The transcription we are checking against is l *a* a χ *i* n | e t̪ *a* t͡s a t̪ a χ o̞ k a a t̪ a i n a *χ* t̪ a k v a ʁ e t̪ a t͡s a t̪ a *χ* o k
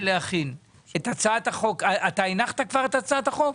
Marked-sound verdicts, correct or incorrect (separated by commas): incorrect, correct, correct, correct, correct